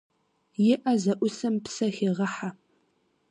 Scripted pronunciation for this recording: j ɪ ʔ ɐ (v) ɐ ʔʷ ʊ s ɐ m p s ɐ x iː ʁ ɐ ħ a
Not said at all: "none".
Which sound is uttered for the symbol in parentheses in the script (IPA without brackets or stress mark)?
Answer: z